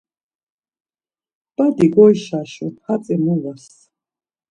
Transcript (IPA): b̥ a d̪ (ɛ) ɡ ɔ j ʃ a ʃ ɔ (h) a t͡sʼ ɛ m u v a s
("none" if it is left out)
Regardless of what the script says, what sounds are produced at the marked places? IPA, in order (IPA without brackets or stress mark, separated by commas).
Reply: i, h